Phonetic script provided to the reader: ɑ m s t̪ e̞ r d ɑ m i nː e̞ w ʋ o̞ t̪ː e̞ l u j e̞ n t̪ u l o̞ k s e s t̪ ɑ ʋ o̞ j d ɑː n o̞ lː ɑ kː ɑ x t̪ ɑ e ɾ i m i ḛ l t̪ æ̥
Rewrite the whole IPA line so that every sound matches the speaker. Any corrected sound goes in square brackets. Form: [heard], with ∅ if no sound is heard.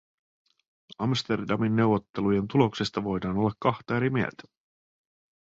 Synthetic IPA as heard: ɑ m s t̪ e̞ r d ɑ m i nː e̞ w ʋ o̞ t̪ː e̞ l u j e̞ n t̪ u l o̞ k s e s t̪ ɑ ʋ o̞ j d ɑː n o̞ lː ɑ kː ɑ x t̪ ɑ e ɾ i m i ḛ l t̪ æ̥